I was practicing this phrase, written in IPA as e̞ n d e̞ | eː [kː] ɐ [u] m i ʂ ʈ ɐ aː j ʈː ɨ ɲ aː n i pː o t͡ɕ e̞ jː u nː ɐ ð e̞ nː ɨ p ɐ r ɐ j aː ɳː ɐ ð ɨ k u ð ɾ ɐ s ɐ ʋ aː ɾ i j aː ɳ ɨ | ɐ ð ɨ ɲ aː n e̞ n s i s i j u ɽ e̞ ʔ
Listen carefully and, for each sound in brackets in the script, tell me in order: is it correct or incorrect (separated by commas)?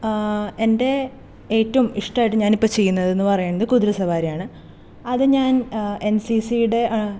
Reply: incorrect, correct